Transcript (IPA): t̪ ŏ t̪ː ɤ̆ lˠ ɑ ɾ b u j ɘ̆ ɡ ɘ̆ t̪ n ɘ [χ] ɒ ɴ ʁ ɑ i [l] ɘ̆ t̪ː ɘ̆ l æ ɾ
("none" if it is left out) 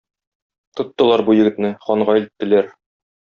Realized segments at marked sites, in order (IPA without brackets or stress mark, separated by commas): χ, l